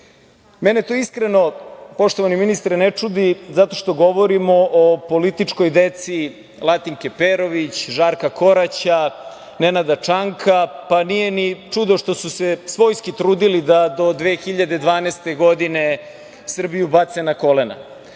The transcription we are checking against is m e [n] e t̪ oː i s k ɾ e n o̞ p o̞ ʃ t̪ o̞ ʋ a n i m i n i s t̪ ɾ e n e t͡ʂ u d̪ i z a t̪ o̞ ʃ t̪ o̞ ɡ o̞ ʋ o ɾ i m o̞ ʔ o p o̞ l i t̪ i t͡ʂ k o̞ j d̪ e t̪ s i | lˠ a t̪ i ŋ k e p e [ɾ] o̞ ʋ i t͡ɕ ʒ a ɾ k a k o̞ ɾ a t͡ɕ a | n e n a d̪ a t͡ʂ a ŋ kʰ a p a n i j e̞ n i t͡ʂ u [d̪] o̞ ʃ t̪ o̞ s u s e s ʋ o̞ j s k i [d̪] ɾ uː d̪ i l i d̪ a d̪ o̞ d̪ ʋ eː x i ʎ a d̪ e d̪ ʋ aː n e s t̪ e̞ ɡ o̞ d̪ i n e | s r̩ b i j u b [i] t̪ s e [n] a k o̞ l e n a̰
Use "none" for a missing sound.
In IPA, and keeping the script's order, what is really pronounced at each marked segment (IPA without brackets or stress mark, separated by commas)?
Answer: n, ɾ, d̪, t̪, a, n